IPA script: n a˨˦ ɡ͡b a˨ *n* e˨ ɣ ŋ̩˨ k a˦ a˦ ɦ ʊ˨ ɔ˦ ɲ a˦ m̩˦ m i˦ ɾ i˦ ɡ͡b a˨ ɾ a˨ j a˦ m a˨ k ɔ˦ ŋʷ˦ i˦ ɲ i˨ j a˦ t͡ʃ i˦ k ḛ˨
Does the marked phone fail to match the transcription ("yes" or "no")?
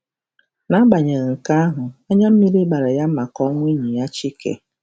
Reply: yes